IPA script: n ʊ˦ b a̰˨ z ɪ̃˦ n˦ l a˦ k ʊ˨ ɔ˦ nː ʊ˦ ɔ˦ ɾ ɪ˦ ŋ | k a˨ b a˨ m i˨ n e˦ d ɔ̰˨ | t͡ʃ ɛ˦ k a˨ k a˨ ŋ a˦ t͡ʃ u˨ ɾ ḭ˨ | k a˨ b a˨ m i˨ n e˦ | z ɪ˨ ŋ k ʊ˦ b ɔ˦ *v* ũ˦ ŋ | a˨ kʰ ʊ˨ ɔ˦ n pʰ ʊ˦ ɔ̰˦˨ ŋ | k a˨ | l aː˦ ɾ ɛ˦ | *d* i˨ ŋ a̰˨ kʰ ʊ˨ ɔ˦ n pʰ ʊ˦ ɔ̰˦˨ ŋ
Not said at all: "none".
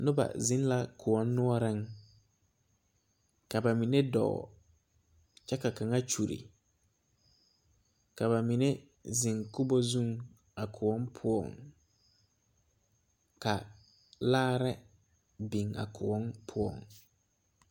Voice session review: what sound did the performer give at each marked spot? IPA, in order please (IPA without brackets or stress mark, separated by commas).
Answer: z, b